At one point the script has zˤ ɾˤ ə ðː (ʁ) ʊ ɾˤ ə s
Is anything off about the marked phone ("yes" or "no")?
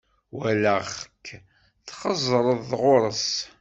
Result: no